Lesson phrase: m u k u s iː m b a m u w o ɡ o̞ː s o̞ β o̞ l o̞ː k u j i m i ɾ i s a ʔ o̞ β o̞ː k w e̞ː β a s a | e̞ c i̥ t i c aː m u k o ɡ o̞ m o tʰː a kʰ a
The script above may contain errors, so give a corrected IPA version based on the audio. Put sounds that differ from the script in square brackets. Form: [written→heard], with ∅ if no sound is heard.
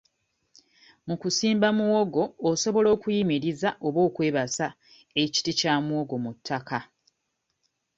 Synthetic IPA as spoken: m u k u s iː m b a m u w o ɡ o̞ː s o̞ β o̞ l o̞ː k u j i m i ɾ i [s→z] a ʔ o̞ β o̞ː k w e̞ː β a s a | e̞ c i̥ t i c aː m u [k→∅] o ɡ o̞ m [o→u] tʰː a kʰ a